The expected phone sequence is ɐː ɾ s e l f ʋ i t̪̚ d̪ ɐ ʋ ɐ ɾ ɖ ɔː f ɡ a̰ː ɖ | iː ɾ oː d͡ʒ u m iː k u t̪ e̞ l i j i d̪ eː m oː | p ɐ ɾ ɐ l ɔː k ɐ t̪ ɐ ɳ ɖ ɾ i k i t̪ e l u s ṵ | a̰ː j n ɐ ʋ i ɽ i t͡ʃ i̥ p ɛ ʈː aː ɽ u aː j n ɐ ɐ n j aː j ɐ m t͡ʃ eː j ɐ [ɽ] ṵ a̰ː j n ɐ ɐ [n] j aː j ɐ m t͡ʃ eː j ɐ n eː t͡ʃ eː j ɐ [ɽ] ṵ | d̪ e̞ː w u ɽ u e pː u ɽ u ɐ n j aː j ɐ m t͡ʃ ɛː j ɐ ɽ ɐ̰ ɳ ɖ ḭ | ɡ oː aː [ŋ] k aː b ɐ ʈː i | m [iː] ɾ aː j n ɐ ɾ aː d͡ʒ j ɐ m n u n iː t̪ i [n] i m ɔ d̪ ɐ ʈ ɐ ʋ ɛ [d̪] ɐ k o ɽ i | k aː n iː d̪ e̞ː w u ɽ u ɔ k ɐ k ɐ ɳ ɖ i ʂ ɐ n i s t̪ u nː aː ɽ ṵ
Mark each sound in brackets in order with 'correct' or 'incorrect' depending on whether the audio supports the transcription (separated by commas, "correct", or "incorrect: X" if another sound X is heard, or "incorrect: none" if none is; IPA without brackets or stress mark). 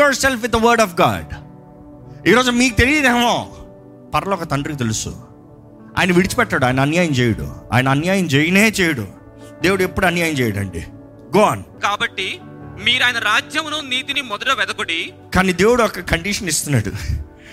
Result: correct, correct, correct, incorrect: n, correct, correct, correct